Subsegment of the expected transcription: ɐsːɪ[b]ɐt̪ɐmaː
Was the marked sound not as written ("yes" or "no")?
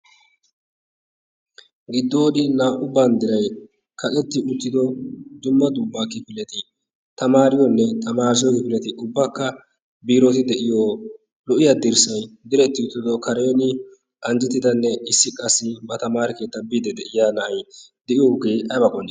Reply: no